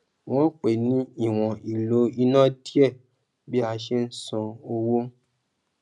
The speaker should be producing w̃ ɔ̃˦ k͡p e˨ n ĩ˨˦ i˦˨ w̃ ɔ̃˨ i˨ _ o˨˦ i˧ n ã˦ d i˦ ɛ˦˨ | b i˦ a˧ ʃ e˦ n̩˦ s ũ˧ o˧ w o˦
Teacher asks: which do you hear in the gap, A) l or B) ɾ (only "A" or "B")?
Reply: A